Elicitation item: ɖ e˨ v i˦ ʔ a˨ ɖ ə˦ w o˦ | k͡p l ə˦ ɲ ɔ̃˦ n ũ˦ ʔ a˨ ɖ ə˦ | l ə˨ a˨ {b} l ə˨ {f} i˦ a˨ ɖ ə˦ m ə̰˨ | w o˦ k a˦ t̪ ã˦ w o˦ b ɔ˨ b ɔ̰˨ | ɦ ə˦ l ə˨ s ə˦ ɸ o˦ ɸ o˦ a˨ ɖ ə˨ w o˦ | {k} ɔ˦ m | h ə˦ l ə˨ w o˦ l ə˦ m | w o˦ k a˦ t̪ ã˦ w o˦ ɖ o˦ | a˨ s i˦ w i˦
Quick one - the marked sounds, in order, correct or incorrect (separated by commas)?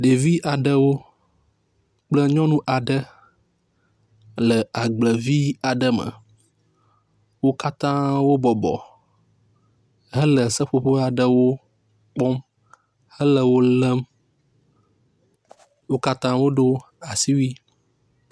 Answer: incorrect, incorrect, incorrect